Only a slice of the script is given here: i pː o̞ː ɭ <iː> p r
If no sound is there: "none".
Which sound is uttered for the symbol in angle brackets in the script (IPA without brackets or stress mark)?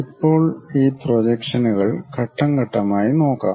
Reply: iː